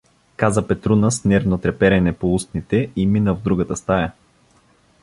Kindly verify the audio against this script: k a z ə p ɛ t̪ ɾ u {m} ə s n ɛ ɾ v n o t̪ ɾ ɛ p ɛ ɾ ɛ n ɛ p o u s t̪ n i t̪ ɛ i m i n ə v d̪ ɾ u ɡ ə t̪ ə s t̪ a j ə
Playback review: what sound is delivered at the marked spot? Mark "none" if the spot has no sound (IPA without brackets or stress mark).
n